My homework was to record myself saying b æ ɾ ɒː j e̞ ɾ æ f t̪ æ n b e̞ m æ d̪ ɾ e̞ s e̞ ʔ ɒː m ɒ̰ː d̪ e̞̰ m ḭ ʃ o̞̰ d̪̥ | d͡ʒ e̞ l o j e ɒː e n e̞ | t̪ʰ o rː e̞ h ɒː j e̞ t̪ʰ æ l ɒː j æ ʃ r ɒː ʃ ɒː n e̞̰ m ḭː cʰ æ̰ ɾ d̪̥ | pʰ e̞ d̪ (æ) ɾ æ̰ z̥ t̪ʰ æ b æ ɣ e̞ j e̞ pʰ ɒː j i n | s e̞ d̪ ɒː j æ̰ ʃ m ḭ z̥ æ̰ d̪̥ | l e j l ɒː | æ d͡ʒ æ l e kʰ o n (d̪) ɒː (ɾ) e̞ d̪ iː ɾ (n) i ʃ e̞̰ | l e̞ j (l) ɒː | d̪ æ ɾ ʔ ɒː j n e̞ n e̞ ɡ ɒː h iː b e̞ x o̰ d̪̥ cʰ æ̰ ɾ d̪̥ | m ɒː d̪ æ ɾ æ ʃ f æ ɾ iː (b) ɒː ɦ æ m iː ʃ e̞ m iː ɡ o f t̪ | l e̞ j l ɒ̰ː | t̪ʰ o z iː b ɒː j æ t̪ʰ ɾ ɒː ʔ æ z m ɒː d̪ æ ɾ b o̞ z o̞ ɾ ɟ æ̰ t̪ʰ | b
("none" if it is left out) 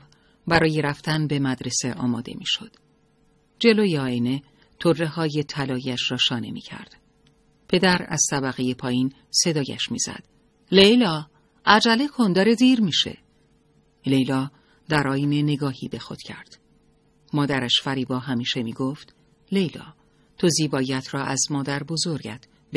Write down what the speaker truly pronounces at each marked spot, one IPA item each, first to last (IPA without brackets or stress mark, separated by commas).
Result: æ, d̪, ɾ, m, l, b